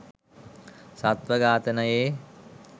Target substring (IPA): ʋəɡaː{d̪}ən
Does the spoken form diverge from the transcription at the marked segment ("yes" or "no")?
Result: yes